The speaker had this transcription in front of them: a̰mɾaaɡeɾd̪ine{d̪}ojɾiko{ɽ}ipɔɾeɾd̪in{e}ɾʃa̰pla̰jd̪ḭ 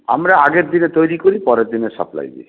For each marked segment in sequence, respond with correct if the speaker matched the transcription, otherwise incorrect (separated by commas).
incorrect, incorrect, correct